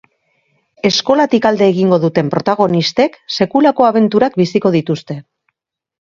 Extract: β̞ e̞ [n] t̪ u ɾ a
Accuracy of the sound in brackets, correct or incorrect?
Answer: correct